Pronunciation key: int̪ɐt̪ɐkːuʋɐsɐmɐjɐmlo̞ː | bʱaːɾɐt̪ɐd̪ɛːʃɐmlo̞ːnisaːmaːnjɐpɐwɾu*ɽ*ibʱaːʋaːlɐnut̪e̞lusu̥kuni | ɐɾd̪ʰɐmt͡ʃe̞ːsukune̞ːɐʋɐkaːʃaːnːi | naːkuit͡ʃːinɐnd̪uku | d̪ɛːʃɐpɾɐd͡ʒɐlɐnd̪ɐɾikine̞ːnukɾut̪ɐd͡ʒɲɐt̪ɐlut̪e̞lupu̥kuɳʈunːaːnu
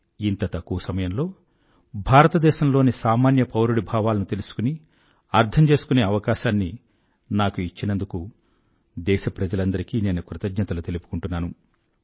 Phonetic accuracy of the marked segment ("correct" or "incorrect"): correct